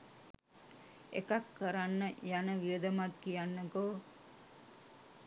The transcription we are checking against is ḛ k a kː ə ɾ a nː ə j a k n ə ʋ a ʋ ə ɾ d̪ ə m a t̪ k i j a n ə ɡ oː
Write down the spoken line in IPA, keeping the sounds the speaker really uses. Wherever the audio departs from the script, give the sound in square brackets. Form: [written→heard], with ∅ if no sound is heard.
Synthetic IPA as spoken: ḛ k a kː ə ɾ a nː ə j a [k→∅] n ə ʋ [a→i] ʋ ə [ɾ→∅] d̪ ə m a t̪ k i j a [n→nː] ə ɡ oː